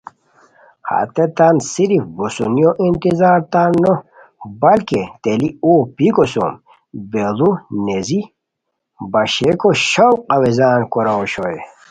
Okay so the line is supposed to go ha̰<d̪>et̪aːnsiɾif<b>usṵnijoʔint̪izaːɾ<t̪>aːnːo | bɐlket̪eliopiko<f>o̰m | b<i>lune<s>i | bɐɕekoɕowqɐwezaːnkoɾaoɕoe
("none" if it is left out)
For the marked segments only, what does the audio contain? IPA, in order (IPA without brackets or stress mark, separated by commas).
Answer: t̪, b, t̪, s, e, z